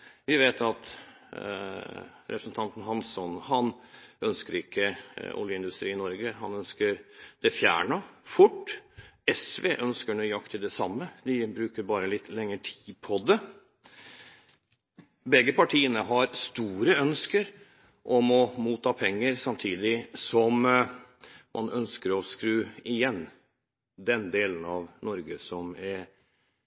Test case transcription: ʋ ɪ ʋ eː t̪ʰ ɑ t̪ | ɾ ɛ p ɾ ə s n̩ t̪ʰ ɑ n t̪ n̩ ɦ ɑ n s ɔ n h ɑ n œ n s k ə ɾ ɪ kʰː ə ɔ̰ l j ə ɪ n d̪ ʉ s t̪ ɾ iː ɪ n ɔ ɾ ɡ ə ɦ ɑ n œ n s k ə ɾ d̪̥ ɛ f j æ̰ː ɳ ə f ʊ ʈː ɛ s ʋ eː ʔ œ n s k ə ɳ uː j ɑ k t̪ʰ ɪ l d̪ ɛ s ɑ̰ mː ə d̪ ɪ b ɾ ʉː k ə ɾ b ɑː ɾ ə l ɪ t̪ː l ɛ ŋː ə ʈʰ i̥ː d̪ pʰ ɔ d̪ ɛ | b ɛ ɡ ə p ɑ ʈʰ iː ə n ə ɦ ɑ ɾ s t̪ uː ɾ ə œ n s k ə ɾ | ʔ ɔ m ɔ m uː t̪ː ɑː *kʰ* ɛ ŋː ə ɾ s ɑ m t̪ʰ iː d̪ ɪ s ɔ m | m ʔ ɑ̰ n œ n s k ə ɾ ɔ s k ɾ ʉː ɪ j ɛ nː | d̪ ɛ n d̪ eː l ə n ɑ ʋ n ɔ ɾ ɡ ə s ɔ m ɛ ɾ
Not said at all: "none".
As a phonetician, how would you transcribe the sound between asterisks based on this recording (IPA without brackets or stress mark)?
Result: pʰ